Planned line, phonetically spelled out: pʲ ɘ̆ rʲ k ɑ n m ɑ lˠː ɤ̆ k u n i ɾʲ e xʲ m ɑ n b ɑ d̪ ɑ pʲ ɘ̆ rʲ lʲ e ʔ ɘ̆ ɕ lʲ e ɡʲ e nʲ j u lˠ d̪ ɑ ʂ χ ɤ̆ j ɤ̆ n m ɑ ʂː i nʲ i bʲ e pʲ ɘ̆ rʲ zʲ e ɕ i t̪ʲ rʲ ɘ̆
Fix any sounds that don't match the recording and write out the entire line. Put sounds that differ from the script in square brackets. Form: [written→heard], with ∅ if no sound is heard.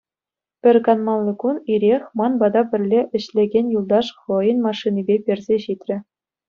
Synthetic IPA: pʲ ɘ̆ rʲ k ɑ n m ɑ lˠː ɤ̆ k u n i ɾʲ e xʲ m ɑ n b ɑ d̪ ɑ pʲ ɘ̆ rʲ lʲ e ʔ ɘ̆ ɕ lʲ e ɡʲ e nʲ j u lˠ d̪ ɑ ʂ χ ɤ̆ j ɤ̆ n m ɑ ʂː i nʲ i bʲ e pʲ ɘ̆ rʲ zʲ e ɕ i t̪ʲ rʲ ɘ̆